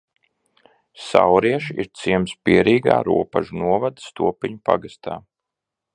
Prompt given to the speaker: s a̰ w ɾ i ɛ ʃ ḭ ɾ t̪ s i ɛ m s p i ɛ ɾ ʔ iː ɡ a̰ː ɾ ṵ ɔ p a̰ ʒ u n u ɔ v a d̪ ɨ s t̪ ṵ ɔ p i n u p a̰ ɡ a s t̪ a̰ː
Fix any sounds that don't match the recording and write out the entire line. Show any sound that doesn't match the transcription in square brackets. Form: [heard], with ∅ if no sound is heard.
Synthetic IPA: s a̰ w ɾ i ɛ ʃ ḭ ɾ t̪ s i ɛ m s p i ɛ ɾ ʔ iː ɡ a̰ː ɾ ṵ ɔ p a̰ ʒ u n u ɔ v a d̪ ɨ s t̪ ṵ ɔ p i [ɲ] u p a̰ ɡ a s t̪ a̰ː